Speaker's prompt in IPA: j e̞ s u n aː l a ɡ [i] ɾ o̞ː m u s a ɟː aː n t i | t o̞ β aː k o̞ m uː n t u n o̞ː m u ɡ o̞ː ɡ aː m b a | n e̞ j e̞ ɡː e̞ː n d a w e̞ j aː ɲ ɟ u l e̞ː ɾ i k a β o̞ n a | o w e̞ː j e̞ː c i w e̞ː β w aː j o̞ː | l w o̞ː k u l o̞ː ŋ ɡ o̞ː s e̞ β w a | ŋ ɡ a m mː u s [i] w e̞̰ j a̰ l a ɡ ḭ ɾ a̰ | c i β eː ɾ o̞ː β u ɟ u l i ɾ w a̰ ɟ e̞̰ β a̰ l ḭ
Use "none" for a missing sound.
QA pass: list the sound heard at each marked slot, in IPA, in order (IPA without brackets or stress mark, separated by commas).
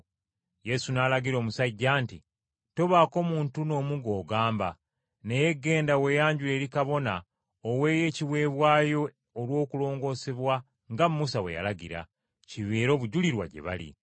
i, a